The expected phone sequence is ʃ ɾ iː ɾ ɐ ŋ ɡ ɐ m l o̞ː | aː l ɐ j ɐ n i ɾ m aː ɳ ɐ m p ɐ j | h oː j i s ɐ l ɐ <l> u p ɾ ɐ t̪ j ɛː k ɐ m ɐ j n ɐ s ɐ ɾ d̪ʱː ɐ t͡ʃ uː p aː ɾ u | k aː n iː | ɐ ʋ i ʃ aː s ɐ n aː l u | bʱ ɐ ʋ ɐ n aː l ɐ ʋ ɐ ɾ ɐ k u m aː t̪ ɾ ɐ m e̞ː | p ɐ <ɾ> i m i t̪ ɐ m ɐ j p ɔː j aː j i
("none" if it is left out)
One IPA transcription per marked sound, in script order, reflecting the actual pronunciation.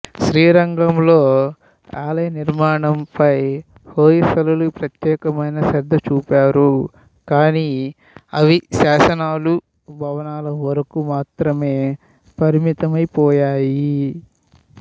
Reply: l, ɾ

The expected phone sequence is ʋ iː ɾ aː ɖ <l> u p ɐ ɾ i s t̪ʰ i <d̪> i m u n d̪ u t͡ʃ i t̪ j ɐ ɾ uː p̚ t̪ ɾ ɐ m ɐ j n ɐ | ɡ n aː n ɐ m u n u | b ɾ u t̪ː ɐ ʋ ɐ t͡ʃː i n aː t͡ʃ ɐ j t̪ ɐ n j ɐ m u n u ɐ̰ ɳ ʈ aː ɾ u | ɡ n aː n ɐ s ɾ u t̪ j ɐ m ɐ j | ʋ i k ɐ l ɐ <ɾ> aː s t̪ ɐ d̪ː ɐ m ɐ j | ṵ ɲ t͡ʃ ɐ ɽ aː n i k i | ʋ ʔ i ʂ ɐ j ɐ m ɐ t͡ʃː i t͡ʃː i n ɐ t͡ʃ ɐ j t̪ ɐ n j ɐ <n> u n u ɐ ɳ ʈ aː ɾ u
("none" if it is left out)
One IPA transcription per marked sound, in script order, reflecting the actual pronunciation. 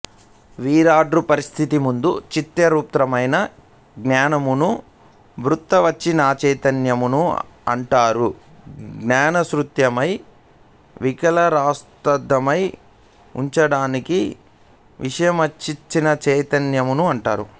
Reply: ɾ, t̪, ɾ, m

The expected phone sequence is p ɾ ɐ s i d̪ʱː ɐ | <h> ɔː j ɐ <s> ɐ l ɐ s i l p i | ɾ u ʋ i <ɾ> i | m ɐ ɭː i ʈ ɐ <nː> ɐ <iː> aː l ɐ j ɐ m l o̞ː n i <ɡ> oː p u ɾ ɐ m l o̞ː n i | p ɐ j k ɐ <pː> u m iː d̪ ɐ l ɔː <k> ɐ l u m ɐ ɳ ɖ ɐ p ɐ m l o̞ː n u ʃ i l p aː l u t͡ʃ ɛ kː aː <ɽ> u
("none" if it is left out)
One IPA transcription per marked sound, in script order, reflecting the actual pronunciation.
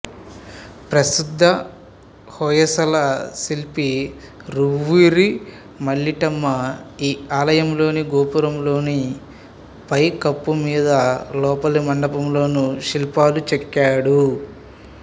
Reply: h, s, ɾ, mː, iː, ɡ, pː, p, ɽ

